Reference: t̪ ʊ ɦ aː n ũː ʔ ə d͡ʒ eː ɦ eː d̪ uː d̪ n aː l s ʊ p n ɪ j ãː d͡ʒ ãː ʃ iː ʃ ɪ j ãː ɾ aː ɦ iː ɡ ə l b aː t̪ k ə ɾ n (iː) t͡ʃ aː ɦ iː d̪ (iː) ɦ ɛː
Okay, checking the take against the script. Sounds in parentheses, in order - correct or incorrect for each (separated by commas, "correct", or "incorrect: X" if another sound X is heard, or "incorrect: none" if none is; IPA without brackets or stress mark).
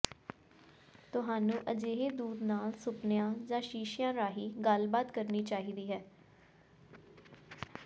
correct, correct